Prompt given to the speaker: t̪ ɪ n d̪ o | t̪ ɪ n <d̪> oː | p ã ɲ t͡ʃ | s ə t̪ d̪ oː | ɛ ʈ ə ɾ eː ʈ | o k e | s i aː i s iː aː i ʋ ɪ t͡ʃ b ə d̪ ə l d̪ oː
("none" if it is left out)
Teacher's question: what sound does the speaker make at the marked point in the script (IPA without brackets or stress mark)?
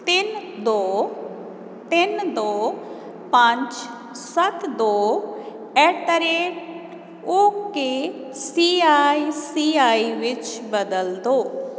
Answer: d̪